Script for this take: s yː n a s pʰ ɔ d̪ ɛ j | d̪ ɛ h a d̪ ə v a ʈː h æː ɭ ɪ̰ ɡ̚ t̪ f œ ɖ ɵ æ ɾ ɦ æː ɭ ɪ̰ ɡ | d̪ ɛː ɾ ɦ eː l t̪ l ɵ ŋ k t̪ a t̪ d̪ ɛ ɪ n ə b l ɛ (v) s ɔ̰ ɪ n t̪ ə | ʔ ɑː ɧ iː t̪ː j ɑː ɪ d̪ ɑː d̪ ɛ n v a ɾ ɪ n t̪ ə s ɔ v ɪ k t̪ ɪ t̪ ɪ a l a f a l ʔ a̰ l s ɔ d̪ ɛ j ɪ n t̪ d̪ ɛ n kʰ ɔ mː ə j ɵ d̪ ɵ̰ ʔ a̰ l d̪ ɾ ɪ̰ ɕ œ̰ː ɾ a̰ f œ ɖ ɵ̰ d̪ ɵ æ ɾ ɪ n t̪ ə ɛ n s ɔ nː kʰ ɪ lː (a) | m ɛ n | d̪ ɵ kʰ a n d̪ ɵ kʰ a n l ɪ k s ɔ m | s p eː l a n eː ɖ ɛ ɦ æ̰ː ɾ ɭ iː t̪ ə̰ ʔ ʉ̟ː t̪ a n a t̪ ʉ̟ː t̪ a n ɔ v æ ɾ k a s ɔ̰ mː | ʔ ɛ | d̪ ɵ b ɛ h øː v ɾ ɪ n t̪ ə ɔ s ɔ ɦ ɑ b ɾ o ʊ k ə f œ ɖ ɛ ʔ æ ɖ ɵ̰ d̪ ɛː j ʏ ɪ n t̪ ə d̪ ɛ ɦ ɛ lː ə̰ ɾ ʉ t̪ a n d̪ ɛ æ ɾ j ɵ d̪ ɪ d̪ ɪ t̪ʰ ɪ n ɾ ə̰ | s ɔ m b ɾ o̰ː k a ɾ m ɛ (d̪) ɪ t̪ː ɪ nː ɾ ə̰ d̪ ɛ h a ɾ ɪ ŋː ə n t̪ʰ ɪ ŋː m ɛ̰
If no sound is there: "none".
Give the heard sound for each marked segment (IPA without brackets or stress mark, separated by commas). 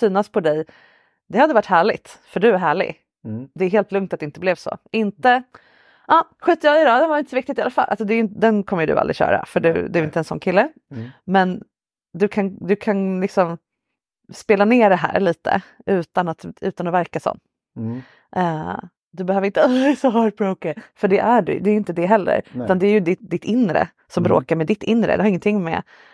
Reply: v, ə, d̪